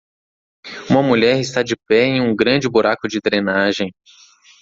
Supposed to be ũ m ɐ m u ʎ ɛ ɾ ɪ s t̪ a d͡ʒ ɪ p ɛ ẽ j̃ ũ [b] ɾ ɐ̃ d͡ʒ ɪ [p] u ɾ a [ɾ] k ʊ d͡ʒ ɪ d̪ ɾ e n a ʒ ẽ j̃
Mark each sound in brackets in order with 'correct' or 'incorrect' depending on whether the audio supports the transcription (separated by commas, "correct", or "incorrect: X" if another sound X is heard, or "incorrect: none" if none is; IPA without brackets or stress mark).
incorrect: ɡ, incorrect: b, incorrect: none